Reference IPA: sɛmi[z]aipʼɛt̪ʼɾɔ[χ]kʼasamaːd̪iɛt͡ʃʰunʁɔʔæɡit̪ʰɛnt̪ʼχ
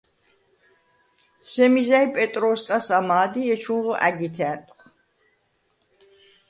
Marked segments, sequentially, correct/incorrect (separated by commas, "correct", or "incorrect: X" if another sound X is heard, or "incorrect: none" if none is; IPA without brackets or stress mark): correct, incorrect: s